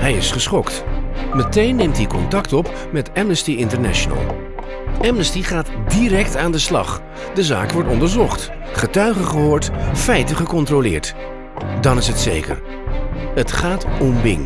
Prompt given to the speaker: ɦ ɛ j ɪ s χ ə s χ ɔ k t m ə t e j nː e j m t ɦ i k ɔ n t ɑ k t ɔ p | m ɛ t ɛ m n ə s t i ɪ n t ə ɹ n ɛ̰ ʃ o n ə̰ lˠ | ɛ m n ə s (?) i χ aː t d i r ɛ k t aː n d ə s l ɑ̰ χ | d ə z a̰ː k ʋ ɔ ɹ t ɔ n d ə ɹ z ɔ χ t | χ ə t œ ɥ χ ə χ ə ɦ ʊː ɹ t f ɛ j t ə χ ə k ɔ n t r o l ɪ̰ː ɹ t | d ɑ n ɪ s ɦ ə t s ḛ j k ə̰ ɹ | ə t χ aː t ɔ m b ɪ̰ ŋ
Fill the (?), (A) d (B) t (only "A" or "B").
B